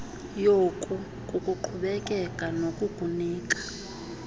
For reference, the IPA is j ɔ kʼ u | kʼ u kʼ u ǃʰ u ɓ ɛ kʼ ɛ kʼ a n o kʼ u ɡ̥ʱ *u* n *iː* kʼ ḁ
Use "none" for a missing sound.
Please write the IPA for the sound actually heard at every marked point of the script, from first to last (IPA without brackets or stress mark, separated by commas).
u, iː